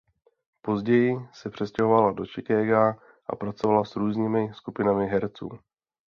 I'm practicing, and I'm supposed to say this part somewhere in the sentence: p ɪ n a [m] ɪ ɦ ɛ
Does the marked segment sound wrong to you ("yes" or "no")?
no